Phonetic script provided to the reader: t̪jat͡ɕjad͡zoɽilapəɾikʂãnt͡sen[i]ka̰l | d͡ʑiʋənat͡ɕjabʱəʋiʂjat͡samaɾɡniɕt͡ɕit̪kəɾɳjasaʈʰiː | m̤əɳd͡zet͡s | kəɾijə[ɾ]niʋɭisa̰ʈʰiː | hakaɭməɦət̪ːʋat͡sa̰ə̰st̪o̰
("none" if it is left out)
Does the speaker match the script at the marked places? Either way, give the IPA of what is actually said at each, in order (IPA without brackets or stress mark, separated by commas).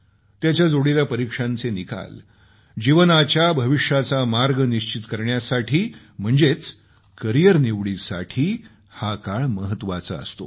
i, ɾ